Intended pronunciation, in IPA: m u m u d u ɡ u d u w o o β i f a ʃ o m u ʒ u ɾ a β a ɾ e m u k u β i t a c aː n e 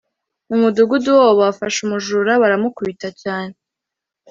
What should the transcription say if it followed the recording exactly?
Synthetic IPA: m u m u d u ɡ u d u w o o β a f a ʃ u m u ʒ u ɾ a β a ɾ a m u k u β i t a c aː n e